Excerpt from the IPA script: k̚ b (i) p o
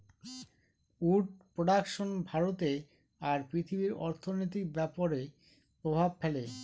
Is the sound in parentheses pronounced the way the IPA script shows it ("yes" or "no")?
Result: no